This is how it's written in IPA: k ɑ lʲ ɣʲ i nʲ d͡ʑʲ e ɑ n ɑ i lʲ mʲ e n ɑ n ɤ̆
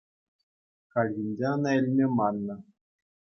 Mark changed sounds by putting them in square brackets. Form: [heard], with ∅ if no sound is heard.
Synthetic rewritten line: k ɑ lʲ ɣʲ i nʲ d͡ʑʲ e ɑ n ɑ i lʲ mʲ e [m] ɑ [nː] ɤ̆

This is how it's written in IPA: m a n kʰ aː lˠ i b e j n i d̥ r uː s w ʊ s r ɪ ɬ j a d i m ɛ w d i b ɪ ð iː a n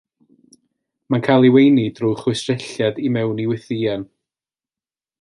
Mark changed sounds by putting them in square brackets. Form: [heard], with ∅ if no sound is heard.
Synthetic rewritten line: m a n kʰ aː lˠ i [w] e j n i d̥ r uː [χ] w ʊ s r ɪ ɬ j a d i m ɛ w [n] i [w] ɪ [θ] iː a n

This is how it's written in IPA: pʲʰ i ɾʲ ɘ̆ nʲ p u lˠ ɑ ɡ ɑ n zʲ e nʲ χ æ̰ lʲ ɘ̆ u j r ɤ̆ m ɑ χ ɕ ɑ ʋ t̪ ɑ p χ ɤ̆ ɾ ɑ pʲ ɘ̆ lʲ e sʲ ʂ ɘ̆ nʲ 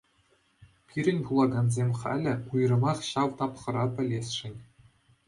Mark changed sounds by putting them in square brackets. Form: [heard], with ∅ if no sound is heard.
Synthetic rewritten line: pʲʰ i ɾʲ ɘ̆ nʲ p u lˠ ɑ ɡ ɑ n zʲ e [mʲ] χ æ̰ lʲ ɘ̆ u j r ɤ̆ m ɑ χ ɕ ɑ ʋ t̪ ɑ p χ ɤ̆ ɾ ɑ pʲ ɘ̆ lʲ e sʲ ʂ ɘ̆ nʲ

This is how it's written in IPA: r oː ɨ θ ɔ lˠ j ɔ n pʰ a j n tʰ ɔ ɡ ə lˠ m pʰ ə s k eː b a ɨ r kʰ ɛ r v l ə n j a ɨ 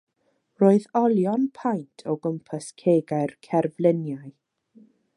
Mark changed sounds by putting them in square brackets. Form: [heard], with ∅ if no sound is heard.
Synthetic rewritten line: r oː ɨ [ð] ɔ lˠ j ɔ n pʰ a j n tʰ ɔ ɡ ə [∅] m pʰ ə s [kʰ] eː [ɡ] a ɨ r kʰ ɛ r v l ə n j a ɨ

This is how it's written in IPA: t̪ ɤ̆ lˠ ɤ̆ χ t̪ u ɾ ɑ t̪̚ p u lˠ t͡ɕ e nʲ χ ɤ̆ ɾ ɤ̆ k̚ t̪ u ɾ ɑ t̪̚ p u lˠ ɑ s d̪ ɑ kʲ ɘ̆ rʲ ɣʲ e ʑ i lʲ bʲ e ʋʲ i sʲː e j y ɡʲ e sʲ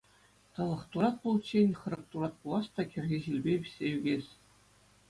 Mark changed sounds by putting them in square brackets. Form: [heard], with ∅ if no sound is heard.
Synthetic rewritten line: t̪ ɤ̆ lˠ ɤ̆ χ t̪ u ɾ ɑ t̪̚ p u lˠ t͡ɕ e nʲ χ ɤ̆ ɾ ɤ̆ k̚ t̪ u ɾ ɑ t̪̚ p u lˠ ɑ s [t̪] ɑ kʲ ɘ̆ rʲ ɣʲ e ʑ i lʲ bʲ e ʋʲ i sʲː e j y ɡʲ e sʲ

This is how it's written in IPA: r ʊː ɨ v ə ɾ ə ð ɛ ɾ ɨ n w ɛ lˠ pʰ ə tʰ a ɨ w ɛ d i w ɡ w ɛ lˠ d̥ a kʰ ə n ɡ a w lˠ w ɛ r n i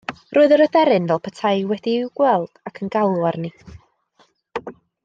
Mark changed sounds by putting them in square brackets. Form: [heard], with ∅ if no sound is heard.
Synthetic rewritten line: r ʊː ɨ [ð] ə ɾ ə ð ɛ ɾ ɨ n [v] ɛ lˠ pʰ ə tʰ a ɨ w ɛ d i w ɡ w ɛ lˠ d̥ a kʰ ə n ɡ a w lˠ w [a] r n i

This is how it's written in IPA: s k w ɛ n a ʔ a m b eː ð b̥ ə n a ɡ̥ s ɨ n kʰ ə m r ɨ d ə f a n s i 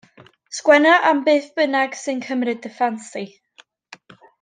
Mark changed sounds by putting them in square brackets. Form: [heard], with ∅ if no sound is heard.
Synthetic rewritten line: s k w ɛ n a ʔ a m b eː [θ] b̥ ə n a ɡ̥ s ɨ n kʰ ə m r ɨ d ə f a n s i

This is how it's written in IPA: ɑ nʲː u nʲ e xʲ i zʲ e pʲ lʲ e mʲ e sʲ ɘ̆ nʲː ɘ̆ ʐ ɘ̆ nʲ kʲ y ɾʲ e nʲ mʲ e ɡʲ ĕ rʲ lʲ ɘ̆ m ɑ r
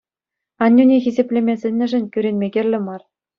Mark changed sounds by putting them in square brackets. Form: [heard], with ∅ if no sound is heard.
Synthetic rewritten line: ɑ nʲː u nʲ e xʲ i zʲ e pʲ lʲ e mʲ e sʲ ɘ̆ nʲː ɘ̆ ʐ ɘ̆ nʲ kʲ y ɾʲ e nʲ mʲ e ɡʲ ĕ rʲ lʲ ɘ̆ m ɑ r

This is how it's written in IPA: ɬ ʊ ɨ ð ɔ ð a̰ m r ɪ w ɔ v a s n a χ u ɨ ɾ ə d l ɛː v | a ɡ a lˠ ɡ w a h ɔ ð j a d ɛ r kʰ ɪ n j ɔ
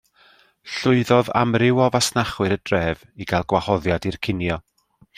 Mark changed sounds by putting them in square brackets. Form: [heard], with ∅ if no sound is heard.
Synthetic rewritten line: ɬ ʊ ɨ ð ɔ ð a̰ m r ɪ w ɔ v a s n a χ [w] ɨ ɾ ə d [r] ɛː v | [i] ɡ a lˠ ɡ w a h ɔ ð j a d [i] r kʰ ɪ n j ɔ

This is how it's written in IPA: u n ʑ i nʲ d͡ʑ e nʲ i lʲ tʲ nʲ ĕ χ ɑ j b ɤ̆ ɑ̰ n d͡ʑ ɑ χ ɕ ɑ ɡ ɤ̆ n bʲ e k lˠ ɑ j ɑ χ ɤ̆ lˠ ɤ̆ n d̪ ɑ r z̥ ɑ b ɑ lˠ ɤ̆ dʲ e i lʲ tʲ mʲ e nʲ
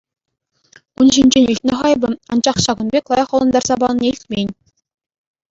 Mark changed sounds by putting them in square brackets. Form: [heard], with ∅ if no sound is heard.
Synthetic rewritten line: u n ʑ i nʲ d͡ʑ e nʲ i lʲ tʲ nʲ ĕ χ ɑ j b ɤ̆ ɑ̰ n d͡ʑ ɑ χ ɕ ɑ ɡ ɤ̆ n bʲ e k lˠ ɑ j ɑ χ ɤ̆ lˠ ɤ̆ n d̪ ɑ r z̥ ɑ b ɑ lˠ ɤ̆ [nʲ] e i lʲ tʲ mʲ e nʲ

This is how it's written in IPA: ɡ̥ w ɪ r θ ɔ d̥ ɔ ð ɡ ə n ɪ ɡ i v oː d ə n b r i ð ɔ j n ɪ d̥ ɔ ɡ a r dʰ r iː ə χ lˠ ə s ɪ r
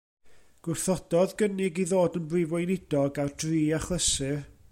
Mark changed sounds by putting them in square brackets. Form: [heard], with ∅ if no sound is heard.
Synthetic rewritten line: ɡ̥ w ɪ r θ ɔ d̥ ɔ ð ɡ ə n ɪ ɡ i [ð] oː d ə n b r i [v] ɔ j n ɪ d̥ ɔ ɡ a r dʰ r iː [a] χ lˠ ə s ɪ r

